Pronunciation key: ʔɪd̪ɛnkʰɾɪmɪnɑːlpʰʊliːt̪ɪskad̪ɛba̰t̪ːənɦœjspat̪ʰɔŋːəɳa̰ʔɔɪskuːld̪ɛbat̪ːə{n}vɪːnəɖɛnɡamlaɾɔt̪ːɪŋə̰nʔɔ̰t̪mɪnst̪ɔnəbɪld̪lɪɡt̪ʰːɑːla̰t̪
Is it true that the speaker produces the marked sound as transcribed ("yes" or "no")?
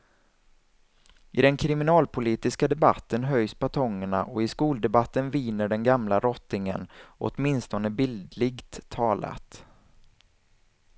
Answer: yes